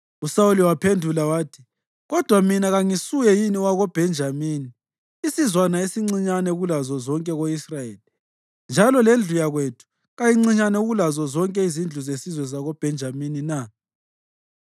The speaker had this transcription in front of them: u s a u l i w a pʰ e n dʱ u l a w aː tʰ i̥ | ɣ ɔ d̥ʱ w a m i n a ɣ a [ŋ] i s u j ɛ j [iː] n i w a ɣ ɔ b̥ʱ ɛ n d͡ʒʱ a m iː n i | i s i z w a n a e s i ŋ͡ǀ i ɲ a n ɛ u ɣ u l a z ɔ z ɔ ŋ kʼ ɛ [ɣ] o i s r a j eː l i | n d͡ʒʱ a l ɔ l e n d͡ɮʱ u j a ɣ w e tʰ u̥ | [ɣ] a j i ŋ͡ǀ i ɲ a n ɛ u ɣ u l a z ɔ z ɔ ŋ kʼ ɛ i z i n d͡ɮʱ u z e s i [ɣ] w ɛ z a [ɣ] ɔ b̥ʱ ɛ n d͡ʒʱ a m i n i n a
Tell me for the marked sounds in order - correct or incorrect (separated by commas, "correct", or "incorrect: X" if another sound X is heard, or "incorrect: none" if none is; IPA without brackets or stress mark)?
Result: correct, incorrect: i, correct, correct, incorrect: z, correct